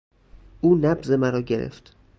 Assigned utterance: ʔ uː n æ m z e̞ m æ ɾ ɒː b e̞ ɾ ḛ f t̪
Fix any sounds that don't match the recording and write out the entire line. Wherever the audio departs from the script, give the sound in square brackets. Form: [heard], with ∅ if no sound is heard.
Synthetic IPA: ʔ uː n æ [b] z e̞ m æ ɾ ɒː [ɟ] e̞ ɾ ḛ f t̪